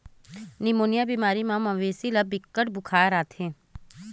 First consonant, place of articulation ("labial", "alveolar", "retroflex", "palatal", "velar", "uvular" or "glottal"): alveolar